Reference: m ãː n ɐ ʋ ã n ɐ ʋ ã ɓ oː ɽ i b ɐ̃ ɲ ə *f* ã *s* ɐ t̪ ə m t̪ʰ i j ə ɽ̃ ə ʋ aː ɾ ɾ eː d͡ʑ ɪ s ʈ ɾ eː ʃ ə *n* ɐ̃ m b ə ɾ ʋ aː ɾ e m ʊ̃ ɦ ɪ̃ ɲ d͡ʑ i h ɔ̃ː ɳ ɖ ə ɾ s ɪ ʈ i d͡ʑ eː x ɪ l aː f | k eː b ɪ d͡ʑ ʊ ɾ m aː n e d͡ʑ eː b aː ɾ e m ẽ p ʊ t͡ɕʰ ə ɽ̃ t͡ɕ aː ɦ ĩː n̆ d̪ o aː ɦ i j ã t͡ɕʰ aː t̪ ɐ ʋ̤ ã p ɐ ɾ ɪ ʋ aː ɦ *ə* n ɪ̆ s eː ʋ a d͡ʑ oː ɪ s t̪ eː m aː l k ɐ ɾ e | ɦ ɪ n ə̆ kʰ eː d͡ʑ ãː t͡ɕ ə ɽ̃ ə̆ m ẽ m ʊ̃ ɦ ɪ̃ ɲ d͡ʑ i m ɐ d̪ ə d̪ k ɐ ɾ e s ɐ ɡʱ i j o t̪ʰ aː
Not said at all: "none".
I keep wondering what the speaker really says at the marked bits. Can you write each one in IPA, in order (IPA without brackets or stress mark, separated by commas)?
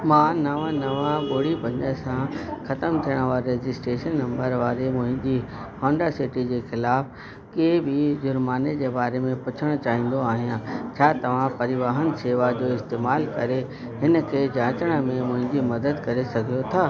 s, x, nː, ə